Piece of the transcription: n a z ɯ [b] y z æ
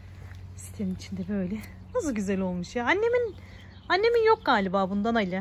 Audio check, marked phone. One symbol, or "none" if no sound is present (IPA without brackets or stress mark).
ɟ